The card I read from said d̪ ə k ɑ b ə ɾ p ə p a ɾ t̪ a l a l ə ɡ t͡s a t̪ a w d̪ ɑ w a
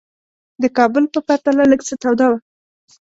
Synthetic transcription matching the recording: d̪ ə k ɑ b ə l p ə p a ɾ t̪ a l a l ə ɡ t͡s ə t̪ a w d̪ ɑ w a